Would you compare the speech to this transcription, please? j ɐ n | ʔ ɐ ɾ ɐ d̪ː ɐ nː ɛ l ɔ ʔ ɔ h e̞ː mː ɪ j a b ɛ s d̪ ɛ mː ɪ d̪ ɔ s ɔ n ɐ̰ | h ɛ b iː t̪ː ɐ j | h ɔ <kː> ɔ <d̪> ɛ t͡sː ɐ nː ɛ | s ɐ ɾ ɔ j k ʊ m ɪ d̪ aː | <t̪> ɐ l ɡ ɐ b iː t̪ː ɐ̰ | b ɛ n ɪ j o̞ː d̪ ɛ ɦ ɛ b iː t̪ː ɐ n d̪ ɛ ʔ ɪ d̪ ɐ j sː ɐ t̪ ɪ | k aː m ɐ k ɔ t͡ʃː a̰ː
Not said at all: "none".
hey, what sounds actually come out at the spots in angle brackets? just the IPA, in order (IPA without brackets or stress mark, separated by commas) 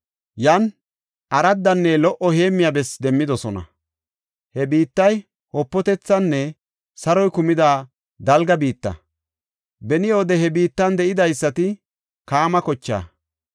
pː, t̪, d̪